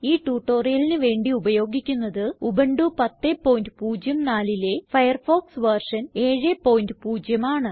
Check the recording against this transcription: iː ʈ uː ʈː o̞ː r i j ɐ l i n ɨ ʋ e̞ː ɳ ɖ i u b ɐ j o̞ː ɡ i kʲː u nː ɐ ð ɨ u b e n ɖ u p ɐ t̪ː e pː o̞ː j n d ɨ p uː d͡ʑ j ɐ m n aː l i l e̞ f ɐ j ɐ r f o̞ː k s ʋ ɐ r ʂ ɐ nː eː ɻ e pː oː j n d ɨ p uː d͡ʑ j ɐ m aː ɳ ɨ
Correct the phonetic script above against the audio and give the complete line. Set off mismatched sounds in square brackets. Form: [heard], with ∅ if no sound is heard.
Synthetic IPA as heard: iː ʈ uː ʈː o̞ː r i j ɐ l i n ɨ ʋ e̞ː ɳ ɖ i u b ɐ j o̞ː ɡ i kʲː u nː ɐ ð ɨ u b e [ɳ] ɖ u p ɐ t̪ː e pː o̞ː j n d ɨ p uː d͡ʑ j ɐ m n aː l i l e̞ f ɐ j ɐ r f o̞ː k s ʋ ɐ r ʂ ɐ [n] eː ɻ e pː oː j n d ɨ p uː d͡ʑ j ɐ m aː ɳ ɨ

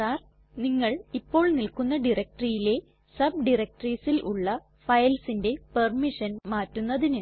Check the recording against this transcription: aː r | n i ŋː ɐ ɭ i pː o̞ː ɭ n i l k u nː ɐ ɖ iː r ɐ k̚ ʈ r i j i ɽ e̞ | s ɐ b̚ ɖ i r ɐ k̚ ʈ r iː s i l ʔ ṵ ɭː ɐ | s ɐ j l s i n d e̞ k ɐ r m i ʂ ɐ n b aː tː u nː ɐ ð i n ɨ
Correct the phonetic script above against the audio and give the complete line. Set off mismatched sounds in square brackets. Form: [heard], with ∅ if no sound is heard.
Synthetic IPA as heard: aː r | n i ŋː ɐ ɭ i pː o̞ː ɭ n i l k u nː ɐ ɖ [i] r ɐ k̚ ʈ r i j i [l] e̞ | s ɐ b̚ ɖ i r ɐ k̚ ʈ r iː s i l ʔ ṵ ɭː ɐ | [f] ɐ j l s i n d e̞ [p] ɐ r m i ʂ ɐ n [m] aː tː u nː ɐ ð i n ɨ

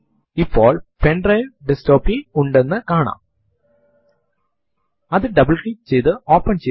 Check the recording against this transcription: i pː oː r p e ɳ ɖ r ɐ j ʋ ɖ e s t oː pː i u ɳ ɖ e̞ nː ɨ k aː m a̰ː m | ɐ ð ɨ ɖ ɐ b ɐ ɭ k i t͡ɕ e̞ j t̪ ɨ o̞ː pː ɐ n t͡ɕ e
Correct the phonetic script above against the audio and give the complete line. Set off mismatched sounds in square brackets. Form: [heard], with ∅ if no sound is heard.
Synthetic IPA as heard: i pː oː [ɭ] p e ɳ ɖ r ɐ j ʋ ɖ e s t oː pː i u ɳ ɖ e̞ nː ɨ k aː [ɳ] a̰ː m | ɐ ð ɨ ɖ ɐ b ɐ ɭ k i t͡ɕ e̞ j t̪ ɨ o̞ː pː ɐ n t͡ɕ e

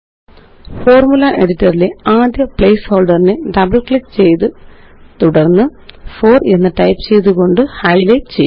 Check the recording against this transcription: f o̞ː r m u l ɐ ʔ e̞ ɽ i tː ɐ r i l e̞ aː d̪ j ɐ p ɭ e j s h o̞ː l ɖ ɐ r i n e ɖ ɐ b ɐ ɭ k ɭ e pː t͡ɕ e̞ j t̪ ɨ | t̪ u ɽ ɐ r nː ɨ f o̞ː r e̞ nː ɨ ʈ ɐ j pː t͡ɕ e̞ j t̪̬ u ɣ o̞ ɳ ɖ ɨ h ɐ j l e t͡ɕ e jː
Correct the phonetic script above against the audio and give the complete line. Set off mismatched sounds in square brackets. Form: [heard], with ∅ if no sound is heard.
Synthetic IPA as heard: f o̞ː r m u l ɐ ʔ e̞ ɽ i tː ɐ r i l e̞ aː d̪ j ɐ p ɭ e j s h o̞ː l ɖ ɐ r i n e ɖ ɐ b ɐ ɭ k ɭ [i] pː t͡ɕ e̞ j t̪ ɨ | t̪ u ɽ ɐ r nː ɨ f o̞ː r e̞ nː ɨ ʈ ɐ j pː t͡ɕ e̞ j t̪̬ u ɣ o̞ ɳ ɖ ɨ h ɐ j l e t͡ɕ e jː

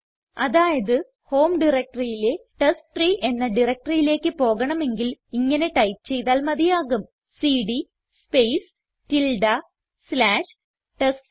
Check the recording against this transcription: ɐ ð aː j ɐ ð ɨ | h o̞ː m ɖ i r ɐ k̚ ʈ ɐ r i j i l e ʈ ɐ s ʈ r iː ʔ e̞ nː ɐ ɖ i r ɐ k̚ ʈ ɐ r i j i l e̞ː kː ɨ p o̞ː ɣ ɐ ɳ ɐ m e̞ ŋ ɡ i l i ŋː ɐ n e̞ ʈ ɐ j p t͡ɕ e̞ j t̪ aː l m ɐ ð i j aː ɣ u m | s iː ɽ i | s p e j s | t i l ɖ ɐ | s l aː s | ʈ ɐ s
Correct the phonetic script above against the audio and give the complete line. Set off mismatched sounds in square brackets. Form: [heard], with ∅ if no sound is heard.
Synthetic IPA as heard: ɐ ð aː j ɐ ð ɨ | h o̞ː m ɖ i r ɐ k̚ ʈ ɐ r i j i l e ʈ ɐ s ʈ r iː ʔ e̞ nː ɐ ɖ i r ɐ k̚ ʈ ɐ r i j i l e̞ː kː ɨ p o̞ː ɣ ɐ ɳ ɐ m e̞ ŋ ɡ i l i ŋː ɐ n e̞ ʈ ɐ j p t͡ɕ e̞ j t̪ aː l m ɐ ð i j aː ɣ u m | s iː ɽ i | s p e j s | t i l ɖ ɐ | s l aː [ʂ] | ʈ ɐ s

